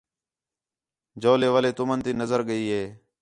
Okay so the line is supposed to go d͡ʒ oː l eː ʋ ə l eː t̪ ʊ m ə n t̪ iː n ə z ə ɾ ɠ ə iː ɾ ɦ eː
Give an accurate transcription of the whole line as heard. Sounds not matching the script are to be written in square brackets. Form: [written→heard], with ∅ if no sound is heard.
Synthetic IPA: d͡ʒ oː l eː ʋ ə l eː t̪ ʊ m ə n t̪ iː n ə z ə ɾ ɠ ə iː [ɾ→∅] ɦ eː